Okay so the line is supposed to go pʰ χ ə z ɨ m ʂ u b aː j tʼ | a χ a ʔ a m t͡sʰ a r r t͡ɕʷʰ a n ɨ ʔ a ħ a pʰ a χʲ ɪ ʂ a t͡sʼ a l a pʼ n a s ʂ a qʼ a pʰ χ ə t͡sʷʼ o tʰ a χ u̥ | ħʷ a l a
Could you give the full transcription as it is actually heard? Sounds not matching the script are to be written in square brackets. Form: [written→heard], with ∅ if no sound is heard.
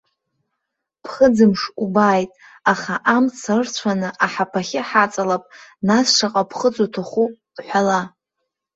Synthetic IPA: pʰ χ ə [z→d͡z] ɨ m ʂ u b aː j tʼ | a χ a ʔ a m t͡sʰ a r r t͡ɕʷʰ a n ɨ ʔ a ħ a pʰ a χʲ ɪ [ʂ→ħ] a t͡sʼ a l a pʼ n a s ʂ a qʼ a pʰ χ ə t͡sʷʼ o tʰ a χ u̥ | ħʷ a l a